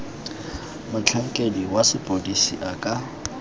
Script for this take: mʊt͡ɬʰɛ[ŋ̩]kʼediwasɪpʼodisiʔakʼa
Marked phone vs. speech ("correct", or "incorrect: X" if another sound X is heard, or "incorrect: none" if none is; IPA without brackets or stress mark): correct